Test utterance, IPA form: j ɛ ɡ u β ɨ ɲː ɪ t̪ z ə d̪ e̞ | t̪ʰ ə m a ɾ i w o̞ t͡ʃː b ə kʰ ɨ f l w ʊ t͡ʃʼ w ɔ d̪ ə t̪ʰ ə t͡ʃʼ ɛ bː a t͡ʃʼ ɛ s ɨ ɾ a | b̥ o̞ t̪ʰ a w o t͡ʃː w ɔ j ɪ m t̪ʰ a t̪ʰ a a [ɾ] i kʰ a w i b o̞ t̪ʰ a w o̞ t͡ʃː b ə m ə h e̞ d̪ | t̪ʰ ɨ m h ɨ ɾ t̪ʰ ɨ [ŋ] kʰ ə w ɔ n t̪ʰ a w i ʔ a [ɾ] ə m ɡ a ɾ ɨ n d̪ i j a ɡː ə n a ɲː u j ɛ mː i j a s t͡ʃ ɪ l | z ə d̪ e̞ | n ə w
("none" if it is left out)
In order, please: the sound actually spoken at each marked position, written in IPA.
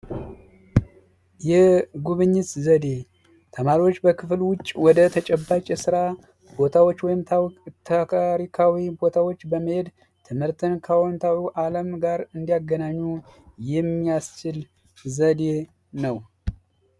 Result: ɾ, n, l

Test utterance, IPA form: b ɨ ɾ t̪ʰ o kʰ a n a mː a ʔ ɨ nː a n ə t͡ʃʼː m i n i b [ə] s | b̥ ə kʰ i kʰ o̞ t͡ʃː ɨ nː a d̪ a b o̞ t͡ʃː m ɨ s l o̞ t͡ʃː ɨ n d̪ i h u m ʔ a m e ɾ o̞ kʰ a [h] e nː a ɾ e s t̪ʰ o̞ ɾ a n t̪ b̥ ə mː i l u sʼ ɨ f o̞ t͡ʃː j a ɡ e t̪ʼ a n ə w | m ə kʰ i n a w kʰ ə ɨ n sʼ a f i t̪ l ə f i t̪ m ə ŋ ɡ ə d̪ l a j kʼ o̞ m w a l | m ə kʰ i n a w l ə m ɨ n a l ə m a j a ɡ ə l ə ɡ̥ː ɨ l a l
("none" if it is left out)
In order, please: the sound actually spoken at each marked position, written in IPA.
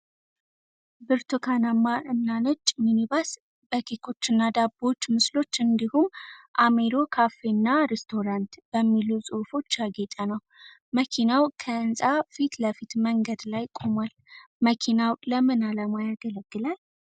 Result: a, f

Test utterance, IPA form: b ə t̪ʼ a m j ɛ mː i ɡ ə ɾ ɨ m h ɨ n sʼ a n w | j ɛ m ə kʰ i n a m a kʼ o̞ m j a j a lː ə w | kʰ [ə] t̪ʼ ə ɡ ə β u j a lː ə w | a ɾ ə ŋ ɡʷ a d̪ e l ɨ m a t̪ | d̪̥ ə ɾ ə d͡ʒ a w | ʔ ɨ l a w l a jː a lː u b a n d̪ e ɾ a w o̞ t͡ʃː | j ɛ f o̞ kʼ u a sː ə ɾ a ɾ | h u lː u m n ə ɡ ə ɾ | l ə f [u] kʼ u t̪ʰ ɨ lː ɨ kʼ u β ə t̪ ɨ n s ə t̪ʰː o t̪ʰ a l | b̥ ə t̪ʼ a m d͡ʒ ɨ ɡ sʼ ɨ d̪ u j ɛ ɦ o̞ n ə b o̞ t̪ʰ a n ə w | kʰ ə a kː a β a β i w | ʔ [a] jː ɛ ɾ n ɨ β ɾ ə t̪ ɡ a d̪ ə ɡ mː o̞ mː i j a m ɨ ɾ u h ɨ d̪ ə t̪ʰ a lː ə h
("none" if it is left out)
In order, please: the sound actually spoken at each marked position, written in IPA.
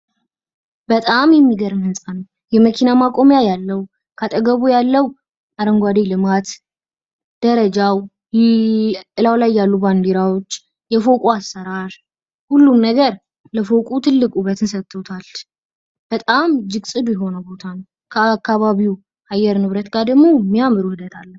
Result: a, o, a

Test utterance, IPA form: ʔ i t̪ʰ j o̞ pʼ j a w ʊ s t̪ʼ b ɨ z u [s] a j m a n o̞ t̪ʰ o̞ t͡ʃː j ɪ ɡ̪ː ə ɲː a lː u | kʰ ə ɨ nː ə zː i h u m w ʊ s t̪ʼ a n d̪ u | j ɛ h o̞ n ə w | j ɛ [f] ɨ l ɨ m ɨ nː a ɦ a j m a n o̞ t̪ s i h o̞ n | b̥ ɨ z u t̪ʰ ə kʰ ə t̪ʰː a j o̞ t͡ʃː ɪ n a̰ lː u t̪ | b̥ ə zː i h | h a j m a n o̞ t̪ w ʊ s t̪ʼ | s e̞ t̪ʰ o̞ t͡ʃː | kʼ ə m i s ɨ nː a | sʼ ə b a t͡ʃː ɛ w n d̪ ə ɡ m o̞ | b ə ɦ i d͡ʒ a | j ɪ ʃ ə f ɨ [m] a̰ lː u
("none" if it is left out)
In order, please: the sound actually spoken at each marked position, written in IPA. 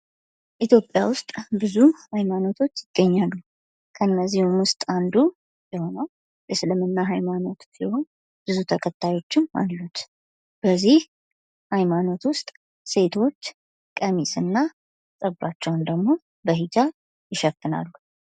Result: h, s, n

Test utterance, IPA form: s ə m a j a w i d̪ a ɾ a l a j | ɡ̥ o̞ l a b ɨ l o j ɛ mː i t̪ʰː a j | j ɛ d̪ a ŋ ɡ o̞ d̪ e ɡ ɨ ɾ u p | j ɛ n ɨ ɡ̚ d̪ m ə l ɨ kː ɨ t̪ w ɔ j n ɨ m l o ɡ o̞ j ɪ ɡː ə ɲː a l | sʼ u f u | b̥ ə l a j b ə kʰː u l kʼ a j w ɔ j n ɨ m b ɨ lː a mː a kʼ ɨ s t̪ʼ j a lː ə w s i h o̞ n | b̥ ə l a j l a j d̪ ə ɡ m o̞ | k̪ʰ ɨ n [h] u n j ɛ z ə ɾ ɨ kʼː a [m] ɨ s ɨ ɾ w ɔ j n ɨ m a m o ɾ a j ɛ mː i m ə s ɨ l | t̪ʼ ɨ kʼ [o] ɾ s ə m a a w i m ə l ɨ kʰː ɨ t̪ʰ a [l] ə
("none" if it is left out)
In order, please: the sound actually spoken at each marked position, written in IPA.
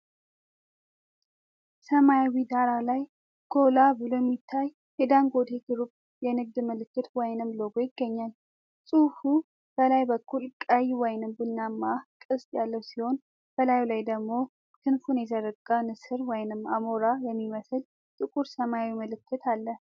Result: f, n, u, lː

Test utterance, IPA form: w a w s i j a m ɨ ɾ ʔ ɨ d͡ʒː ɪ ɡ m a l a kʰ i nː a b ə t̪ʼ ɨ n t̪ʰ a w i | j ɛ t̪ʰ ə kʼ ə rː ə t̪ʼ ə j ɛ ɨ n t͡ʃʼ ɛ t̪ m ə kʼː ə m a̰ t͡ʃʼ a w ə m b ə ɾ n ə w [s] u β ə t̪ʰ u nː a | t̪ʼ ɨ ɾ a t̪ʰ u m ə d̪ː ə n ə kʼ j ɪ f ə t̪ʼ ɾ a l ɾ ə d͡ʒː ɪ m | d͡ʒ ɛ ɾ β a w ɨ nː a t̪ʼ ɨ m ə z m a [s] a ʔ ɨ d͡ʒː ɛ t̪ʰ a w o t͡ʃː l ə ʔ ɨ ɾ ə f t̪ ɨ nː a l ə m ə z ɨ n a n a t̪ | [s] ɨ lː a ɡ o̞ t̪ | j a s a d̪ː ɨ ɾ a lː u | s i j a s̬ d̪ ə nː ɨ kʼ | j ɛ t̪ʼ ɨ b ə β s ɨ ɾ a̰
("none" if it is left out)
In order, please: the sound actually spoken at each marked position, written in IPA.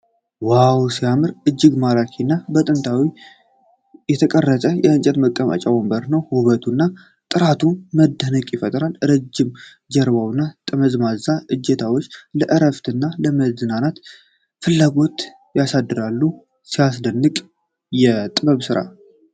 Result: h, z, f

